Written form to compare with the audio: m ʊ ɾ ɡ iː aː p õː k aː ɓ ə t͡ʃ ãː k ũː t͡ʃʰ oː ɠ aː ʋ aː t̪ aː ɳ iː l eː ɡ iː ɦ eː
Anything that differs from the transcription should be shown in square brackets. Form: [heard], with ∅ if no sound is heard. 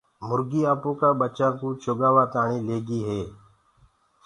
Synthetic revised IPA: m ʊ ɾ ɡ iː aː p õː k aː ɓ ə t͡ʃ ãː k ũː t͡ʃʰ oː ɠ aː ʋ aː t̪ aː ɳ iː l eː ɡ iː ɦ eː